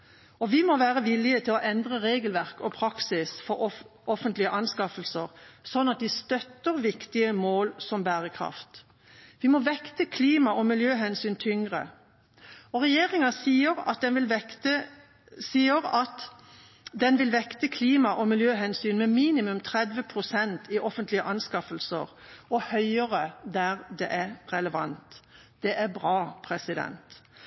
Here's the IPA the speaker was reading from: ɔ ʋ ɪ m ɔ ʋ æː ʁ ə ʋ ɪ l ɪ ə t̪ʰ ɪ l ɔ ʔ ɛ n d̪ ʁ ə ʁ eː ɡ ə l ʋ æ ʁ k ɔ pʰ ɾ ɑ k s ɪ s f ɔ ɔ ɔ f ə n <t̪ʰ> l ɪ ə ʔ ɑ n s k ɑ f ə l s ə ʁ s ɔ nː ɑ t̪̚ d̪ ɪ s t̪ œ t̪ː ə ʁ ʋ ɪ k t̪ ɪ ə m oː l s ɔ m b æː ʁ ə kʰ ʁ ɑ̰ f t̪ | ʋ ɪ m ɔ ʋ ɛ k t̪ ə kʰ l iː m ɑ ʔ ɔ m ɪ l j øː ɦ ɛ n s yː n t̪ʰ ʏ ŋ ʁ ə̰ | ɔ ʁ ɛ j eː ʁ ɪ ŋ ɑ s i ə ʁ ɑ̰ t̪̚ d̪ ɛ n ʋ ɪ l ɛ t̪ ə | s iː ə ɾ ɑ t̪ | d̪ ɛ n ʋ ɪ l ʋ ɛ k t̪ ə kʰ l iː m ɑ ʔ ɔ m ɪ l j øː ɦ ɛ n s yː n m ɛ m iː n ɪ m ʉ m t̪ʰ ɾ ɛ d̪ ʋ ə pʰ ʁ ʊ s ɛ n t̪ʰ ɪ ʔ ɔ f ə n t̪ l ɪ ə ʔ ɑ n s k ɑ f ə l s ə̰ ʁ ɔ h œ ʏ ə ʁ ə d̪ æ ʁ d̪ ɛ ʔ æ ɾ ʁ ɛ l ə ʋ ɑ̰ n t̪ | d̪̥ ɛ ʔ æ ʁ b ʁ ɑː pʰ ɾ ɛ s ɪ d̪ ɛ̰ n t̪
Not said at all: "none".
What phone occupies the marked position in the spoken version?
t̪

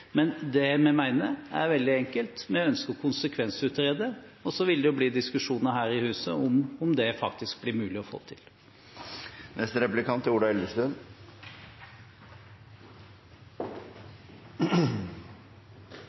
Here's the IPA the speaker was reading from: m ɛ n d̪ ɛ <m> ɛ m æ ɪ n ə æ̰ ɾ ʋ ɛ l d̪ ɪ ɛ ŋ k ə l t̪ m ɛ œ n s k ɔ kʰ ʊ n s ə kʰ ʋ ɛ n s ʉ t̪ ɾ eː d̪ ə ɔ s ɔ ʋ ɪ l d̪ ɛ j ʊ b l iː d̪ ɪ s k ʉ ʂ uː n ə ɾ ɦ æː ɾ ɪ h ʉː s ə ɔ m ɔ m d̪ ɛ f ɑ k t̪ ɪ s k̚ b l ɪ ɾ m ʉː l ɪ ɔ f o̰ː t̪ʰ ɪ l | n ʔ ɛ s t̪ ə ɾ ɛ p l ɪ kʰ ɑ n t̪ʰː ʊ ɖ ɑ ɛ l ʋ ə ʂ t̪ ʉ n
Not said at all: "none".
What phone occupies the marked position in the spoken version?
m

